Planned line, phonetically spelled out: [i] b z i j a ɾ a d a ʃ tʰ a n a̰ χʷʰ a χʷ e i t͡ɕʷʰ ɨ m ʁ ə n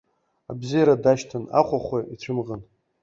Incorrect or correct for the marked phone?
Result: incorrect: a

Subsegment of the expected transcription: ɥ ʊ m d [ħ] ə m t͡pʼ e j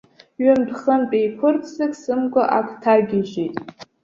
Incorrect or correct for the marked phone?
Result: incorrect: χ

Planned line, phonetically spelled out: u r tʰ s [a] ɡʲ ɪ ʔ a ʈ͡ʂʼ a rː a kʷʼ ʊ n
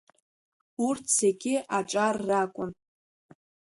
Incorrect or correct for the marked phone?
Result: incorrect: e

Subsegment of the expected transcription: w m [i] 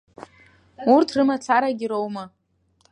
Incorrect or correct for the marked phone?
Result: incorrect: a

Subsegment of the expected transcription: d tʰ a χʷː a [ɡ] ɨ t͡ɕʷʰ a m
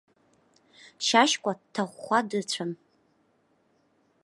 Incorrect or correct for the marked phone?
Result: incorrect: d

